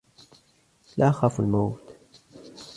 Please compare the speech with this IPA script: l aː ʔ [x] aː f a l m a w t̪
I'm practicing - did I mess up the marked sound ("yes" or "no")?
no